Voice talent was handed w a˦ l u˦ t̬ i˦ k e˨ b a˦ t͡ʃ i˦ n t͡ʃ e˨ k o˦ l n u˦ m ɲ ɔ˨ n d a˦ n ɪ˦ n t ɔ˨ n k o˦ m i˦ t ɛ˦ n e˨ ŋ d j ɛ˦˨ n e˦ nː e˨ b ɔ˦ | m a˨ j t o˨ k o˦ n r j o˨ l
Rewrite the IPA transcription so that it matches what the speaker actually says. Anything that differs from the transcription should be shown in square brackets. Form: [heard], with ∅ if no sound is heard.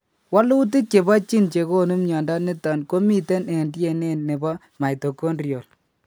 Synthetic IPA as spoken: w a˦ l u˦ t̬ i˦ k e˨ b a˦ t͡ʃ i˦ n t͡ʃ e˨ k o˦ [∅] n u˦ m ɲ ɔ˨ n d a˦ n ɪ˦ [∅] t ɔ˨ n k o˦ m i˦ t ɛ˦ n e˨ [n] d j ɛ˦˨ n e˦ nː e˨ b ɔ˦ | m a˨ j t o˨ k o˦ n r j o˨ l